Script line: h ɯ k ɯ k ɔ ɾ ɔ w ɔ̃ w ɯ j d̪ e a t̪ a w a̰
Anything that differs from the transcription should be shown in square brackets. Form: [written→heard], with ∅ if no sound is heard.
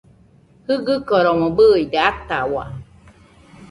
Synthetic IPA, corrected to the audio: h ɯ [k→ɡ] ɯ k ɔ ɾ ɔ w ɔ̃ [w→b] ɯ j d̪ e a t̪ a w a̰